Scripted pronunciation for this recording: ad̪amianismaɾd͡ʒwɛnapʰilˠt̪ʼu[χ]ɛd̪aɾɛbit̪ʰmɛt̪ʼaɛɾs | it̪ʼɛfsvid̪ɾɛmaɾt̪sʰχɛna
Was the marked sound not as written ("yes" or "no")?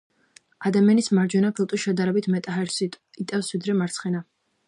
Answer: yes